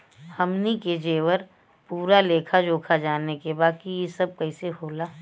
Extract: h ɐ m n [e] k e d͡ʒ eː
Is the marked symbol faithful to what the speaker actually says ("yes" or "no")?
no